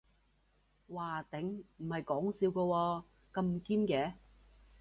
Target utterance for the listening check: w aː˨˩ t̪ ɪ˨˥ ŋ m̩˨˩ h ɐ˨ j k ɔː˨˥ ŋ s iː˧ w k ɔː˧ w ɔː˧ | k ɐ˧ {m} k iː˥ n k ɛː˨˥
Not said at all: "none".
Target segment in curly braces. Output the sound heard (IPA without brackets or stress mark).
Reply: m